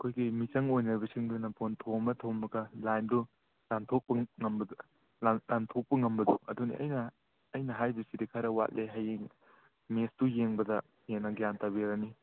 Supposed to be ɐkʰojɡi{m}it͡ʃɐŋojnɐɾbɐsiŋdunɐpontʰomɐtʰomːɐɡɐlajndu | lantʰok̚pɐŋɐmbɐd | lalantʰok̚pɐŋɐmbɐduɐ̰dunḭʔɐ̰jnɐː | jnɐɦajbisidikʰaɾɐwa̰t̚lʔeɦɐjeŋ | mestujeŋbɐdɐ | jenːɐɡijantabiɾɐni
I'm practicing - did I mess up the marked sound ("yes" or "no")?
no